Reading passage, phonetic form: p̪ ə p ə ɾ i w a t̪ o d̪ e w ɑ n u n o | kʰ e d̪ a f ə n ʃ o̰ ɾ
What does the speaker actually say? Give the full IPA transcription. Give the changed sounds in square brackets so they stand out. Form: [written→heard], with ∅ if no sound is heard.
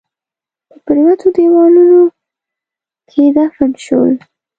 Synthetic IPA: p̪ ə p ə ɾ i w a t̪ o d̪ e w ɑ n u n o | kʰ e d̪ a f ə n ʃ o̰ [ɾ→l]